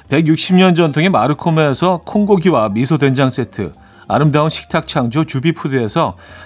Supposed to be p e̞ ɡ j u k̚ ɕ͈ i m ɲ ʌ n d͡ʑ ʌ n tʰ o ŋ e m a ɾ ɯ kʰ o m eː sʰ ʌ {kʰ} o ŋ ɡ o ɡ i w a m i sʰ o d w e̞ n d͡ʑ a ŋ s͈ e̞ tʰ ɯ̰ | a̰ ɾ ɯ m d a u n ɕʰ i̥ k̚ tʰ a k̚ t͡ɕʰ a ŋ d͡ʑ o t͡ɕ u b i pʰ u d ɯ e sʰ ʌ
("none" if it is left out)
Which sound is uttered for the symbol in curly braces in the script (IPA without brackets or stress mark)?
kʰ